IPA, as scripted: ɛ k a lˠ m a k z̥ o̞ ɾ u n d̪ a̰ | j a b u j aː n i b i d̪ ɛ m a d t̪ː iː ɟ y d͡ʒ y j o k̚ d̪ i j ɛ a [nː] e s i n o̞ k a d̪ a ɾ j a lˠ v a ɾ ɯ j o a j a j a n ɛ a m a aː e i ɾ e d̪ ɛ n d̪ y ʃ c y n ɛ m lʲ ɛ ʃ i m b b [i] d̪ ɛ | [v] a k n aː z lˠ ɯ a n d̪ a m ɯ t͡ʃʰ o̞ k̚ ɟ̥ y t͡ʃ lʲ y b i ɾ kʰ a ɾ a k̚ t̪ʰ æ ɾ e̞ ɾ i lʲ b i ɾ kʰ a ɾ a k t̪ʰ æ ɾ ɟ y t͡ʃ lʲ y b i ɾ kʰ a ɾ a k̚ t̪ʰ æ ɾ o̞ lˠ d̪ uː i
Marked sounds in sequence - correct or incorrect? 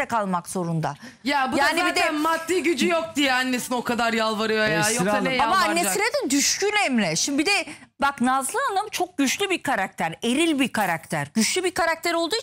correct, correct, incorrect

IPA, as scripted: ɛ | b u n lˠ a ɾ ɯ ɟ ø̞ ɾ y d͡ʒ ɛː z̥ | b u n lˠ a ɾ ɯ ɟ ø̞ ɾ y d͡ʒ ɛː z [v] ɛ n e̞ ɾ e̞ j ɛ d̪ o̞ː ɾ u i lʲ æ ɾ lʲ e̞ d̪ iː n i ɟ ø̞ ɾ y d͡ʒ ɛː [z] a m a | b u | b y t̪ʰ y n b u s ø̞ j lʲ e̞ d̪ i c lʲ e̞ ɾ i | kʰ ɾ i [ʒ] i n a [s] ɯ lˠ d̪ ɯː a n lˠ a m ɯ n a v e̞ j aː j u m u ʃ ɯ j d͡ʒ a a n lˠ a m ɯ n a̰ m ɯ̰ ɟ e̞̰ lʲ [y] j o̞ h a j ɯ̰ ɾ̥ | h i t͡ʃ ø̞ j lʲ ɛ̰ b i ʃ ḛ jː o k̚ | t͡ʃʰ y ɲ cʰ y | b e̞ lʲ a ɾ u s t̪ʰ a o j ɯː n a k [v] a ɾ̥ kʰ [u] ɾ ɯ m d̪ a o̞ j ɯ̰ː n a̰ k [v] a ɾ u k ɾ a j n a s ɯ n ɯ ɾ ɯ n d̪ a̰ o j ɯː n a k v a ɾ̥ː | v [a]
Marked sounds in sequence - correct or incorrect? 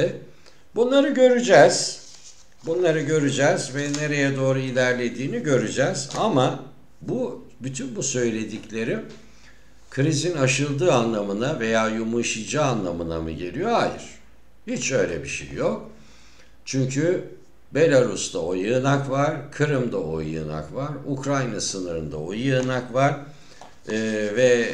correct, correct, incorrect, incorrect, incorrect, correct, incorrect, correct, incorrect

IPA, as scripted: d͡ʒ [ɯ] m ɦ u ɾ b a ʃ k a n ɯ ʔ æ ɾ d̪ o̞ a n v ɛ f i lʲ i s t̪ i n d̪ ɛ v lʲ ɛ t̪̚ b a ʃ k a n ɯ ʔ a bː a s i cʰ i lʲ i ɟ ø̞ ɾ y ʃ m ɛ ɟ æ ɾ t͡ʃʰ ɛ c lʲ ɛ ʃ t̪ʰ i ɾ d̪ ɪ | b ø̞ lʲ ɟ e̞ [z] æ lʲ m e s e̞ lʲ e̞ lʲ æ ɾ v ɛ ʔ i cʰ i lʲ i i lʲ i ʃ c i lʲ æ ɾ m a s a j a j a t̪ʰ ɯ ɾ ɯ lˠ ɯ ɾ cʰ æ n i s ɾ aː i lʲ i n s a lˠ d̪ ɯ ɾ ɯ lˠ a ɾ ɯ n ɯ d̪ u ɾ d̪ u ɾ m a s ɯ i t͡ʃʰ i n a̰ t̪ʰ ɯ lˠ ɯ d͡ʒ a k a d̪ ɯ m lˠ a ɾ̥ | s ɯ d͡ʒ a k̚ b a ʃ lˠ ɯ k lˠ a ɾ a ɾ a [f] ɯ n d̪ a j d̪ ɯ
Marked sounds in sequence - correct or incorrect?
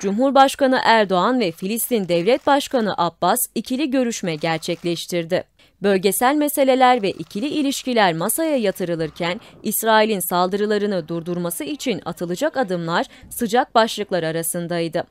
incorrect, incorrect, incorrect

